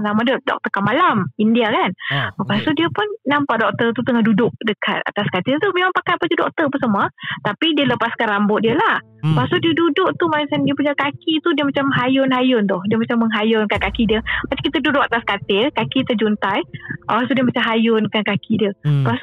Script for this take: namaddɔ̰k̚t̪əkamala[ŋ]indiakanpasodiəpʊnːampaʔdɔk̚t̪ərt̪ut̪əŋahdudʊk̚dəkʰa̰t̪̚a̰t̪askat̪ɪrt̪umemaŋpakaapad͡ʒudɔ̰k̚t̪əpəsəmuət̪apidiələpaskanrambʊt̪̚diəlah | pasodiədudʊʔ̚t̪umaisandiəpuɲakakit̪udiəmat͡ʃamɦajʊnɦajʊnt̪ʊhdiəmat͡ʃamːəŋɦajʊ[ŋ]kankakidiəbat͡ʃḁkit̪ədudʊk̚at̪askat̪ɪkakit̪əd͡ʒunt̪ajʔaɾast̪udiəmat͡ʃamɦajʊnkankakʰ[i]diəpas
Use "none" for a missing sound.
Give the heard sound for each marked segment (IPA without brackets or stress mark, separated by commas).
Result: m, n, i